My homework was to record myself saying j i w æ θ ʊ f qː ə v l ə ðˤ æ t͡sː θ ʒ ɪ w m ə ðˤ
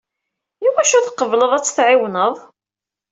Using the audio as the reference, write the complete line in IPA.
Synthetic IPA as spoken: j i w æ ʃ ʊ θ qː ə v l ə ðˤ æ t͡sː θ ʕ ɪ w n ə ðˤ